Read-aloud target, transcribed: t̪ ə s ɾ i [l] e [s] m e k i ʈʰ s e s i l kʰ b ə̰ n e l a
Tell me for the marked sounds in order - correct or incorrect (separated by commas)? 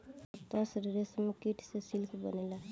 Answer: incorrect, correct